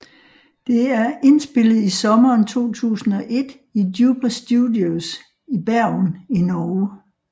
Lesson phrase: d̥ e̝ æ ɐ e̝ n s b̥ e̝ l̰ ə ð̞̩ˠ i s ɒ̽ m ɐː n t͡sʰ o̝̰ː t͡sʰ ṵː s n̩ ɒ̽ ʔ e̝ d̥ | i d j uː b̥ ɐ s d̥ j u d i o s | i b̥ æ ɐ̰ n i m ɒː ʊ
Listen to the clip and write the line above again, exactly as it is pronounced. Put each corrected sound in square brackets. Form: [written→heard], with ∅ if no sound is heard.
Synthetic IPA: d̥ e̝ æ ɐ e̝ n s b̥ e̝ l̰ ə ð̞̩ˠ i s ɒ̽ m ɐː n t͡sʰ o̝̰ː t͡sʰ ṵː s n̩ ɒ̽ ʔ e̝ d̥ | i d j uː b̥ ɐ s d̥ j u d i o s | i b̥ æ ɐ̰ n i [m→n] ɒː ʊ